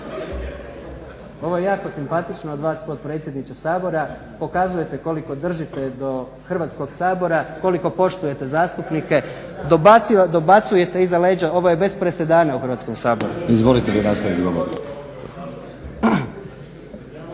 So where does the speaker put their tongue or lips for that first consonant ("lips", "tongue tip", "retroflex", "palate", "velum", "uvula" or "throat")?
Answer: lips